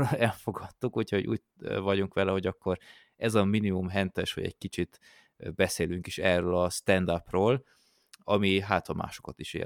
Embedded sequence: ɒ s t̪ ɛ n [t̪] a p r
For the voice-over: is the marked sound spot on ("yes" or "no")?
no